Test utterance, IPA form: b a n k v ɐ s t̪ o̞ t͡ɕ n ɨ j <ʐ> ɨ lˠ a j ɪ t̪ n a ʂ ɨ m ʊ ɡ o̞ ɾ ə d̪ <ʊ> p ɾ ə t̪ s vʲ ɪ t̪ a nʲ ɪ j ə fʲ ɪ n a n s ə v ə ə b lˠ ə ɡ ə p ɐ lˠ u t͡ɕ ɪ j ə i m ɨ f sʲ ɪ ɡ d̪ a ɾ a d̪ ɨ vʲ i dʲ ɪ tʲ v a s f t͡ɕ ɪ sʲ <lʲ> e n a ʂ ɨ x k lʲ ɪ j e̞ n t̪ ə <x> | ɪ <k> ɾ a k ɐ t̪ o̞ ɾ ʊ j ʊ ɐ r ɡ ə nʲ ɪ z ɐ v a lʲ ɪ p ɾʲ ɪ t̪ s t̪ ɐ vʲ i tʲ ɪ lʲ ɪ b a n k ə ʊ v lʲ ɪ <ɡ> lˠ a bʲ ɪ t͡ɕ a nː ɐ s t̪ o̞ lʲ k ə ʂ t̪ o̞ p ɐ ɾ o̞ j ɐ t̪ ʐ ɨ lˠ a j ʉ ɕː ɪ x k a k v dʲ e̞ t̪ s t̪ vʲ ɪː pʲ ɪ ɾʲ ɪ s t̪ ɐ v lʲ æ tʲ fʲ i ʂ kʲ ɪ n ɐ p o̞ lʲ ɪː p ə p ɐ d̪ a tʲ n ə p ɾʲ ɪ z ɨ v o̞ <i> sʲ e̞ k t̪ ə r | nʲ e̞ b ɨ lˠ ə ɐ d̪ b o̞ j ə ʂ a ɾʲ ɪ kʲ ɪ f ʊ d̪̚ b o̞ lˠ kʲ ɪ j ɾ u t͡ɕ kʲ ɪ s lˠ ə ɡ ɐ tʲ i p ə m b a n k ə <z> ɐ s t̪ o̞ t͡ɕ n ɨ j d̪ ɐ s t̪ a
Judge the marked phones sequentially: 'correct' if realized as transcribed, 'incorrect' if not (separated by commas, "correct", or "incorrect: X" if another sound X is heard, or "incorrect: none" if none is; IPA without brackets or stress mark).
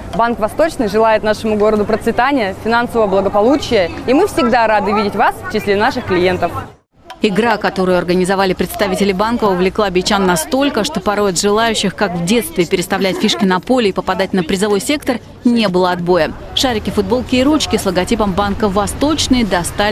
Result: correct, correct, correct, incorrect: f, incorrect: ɡ, incorrect: k, incorrect: j, incorrect: v